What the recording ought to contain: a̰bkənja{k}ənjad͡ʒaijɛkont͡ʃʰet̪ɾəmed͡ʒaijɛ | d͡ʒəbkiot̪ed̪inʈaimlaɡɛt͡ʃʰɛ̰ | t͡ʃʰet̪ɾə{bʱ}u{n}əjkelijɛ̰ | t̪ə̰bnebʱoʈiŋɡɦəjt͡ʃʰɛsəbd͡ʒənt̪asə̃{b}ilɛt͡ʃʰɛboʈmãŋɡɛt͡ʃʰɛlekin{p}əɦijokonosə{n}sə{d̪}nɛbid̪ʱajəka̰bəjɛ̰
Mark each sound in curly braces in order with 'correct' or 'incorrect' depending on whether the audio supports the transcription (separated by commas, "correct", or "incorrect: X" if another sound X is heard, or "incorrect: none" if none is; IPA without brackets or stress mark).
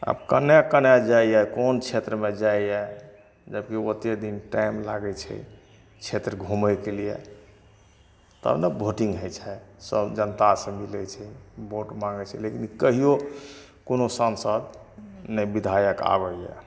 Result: correct, incorrect: ɡʱ, incorrect: m, incorrect: m, incorrect: k, correct, correct